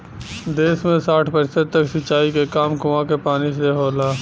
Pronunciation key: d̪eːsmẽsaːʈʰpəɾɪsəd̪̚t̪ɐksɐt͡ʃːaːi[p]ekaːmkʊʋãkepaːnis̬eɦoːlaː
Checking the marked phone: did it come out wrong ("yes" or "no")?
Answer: yes